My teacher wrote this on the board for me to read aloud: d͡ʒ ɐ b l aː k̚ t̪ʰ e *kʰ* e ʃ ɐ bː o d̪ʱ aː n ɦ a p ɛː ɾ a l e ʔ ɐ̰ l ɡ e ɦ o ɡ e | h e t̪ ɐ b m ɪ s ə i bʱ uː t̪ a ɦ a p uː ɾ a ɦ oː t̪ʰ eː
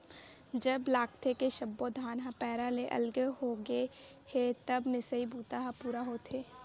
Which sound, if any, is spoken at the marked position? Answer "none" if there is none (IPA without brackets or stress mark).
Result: k